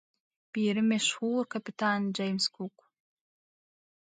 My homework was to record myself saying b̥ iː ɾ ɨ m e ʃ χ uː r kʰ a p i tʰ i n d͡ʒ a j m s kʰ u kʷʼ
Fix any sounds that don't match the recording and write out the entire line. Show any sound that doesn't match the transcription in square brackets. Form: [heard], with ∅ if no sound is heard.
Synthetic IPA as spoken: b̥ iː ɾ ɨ m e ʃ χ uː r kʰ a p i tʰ [a] n d͡ʒ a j m s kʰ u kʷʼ